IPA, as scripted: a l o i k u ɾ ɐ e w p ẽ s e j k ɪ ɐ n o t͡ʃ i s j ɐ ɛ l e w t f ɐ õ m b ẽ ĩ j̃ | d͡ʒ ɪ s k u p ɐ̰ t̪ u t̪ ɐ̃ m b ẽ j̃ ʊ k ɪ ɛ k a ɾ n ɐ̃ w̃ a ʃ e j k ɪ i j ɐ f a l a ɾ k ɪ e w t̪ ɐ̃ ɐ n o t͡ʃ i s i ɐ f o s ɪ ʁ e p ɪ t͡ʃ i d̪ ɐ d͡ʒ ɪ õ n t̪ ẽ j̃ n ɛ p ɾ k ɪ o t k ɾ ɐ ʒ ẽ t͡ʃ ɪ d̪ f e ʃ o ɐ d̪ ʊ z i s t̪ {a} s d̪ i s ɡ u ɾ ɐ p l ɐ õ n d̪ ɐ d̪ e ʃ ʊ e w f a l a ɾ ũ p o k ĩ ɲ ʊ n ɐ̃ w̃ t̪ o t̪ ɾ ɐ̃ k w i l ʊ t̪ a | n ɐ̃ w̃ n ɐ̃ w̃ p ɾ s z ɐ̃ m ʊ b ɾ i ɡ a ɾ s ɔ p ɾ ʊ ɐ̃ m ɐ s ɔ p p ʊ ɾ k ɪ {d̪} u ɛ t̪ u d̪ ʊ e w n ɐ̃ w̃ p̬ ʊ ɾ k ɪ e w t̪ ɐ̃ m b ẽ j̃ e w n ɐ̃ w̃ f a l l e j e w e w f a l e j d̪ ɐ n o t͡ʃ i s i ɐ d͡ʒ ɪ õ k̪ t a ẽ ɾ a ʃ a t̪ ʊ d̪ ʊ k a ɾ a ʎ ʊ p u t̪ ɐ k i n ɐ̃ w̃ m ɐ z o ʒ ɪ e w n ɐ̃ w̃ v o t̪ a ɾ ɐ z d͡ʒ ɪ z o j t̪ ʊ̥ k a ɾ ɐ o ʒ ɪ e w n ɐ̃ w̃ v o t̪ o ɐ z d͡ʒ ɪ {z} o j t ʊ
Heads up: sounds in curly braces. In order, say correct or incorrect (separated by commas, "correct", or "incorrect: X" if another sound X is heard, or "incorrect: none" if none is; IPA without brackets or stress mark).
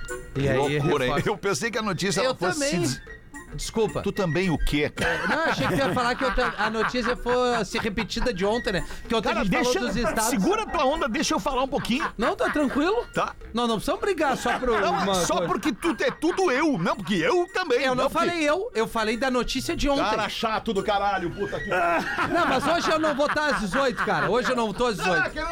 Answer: correct, incorrect: t̪, correct